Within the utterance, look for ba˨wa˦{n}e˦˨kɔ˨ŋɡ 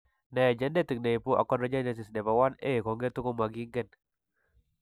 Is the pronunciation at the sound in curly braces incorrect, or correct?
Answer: correct